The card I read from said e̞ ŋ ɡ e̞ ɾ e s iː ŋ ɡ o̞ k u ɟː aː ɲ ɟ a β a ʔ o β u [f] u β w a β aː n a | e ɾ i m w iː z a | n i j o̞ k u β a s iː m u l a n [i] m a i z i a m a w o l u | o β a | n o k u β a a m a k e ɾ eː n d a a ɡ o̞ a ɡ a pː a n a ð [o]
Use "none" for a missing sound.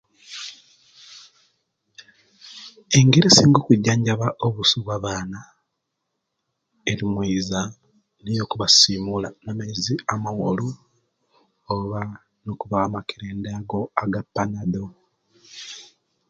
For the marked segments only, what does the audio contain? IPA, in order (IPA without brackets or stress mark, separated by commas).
s, a, o